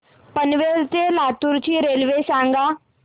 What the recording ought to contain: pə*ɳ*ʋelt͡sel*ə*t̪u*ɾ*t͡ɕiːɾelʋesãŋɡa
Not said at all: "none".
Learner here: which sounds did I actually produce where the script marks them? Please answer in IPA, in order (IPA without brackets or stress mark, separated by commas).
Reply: n, a, ɾ